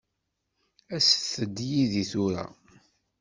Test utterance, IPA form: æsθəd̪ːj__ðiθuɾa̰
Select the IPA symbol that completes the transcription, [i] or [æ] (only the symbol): i